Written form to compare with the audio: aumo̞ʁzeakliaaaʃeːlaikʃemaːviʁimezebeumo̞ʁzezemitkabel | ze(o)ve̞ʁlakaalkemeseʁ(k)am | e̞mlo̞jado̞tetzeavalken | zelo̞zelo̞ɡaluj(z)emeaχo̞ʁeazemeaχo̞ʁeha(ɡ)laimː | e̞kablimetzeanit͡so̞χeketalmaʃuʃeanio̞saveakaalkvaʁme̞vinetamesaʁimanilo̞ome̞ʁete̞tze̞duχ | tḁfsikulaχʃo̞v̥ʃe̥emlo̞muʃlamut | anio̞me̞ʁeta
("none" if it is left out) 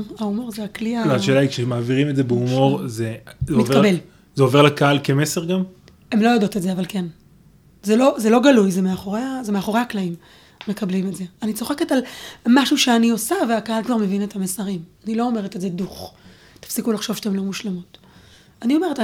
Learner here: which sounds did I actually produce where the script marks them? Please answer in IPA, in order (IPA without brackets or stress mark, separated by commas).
o, ɡ, z, k